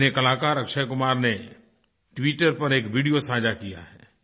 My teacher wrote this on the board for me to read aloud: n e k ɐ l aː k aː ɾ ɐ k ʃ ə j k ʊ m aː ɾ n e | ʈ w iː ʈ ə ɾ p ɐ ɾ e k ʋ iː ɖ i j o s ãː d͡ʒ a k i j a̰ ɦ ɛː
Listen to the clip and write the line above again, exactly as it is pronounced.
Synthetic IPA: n e k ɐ l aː k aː ɾ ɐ k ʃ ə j k ʊ m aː ɾ n e | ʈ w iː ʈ ə ɾ p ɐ ɾ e k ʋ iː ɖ i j o s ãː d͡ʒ a k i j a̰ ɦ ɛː

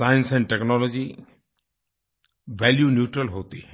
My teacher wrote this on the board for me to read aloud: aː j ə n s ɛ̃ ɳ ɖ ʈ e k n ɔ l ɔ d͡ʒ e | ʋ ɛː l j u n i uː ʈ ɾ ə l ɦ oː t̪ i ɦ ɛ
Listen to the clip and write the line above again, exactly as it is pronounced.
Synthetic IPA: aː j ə n s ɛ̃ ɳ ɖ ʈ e k n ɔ l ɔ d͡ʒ i | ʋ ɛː l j u n j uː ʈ ɾ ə l ɦ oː t̪ i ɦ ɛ

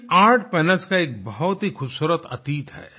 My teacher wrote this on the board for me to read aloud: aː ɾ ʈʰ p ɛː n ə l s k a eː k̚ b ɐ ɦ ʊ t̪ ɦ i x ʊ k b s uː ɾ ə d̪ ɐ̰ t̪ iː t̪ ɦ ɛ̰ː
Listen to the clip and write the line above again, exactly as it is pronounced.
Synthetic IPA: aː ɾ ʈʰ p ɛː n ə l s k a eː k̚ b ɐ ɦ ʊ t̪ ɦ i x ʊ b s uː ɾ ə t̪ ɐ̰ t̪ iː t̪ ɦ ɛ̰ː

